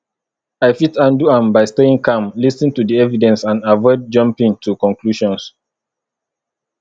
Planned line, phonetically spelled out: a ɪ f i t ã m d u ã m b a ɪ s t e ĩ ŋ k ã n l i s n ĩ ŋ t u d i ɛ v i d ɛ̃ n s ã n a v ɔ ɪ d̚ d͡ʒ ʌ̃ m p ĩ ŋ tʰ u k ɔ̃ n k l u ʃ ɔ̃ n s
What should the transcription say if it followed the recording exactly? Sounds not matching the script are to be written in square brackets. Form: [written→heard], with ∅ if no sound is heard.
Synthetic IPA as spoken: a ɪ f i t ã [m→n] d u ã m b a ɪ s t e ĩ ŋ k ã [n→m] l i s n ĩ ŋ t u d i ɛ v i d ɛ̃ n s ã n a v ɔ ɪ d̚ d͡ʒ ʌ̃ m p ĩ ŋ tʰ u k ɔ̃ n k l u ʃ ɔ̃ n s